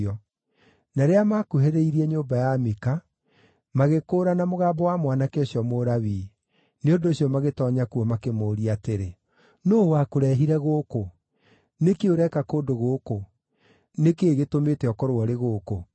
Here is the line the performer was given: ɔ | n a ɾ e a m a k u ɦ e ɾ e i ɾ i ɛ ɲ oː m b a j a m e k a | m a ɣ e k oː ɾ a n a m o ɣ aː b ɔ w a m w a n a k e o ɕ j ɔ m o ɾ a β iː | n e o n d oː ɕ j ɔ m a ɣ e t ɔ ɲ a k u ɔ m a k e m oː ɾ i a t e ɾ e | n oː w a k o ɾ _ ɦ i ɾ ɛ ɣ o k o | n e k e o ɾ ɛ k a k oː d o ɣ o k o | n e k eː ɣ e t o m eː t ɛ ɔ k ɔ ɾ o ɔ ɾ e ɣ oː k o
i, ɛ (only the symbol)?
ɛ